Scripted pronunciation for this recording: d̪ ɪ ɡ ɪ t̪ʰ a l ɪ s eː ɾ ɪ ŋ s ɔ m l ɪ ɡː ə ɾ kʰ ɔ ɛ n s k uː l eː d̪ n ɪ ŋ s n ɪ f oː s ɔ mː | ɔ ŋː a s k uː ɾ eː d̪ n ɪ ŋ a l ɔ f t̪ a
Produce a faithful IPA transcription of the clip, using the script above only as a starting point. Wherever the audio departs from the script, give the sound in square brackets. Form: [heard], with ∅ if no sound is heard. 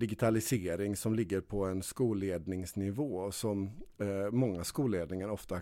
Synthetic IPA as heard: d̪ ɪ ɡ ɪ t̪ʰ a l ɪ s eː ɾ ɪ ŋ s ɔ m l ɪ ɡː ə ɾ [pʰ] ɔ ɛ n s k uː l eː d̪ n ɪ ŋ s n ɪ [v] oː s ɔ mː | ɔ ŋː a s k uː [l] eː d̪ n ɪ ŋ a [ɾ] ɔ f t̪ a